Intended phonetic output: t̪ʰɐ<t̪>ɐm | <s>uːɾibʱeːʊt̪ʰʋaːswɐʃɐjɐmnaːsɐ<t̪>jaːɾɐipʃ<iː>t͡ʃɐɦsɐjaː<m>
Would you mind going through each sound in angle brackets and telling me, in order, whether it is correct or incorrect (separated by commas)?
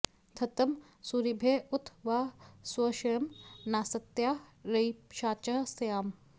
correct, correct, correct, incorrect, correct